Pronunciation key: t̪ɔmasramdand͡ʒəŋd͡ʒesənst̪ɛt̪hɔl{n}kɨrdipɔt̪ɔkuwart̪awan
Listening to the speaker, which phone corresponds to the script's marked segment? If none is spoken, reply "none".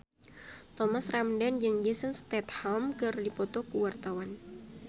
m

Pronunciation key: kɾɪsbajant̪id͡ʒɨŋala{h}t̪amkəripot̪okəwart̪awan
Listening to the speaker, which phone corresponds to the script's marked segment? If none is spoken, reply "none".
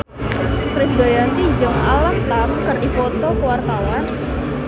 h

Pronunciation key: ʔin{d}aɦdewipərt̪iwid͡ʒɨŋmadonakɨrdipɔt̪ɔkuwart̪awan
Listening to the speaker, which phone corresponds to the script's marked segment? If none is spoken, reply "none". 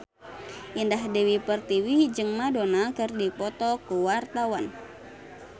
d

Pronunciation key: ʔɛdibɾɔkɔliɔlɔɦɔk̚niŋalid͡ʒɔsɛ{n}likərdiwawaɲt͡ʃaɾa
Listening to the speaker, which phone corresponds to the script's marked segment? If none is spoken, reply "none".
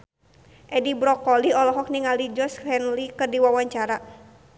n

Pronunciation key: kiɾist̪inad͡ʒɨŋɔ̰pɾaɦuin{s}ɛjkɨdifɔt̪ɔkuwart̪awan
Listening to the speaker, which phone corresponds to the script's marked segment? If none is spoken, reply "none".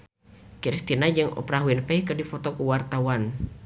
f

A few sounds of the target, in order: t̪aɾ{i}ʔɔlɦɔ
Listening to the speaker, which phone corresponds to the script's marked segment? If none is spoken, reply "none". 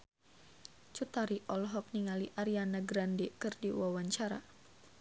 i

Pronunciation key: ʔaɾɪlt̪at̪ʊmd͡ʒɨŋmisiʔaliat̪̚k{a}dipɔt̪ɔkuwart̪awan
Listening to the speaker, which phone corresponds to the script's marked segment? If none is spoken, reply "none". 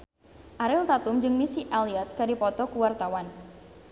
a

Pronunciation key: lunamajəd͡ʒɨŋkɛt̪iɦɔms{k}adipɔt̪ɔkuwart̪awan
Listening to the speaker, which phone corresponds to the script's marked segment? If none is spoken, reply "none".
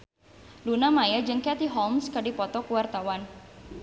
k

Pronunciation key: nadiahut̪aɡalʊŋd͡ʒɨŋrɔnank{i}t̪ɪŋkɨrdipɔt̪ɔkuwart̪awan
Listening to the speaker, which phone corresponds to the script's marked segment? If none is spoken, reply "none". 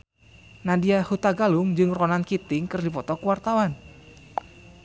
i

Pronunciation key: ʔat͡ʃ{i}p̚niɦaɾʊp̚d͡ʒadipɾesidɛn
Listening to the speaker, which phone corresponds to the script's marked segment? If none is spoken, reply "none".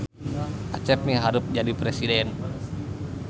ɛ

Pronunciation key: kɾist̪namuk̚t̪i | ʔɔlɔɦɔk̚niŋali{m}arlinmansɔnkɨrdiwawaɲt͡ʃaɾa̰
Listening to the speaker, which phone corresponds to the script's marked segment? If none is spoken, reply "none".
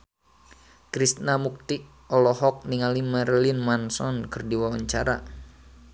m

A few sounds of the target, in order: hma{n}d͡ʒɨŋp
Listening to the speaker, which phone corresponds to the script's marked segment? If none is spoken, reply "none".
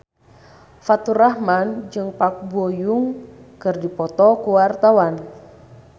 n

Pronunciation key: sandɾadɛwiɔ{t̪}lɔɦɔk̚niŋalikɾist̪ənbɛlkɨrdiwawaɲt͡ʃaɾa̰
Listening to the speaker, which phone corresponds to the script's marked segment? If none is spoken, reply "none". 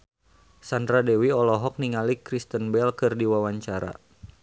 none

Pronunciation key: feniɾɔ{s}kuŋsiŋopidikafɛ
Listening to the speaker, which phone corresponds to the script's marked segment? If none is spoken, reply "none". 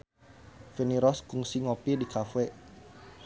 s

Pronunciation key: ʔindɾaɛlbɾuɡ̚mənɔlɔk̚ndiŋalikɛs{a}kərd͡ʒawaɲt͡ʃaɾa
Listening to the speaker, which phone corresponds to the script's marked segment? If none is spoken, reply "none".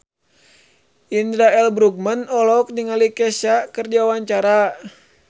a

